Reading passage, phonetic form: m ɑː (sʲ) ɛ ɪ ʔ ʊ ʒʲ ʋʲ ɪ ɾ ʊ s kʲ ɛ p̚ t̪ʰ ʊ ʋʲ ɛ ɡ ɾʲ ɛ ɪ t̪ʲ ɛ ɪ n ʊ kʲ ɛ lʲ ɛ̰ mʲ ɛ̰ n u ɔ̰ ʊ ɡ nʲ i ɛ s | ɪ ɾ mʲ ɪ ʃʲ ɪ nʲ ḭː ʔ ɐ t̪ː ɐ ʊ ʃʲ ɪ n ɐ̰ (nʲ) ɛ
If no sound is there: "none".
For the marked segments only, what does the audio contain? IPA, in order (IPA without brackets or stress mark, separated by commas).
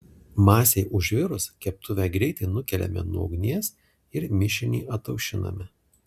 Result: sʲ, mʲ